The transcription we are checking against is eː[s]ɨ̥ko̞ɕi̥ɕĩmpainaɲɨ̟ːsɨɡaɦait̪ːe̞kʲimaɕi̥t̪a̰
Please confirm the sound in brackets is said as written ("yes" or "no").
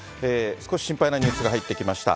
yes